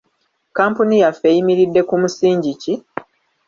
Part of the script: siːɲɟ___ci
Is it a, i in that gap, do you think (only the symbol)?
i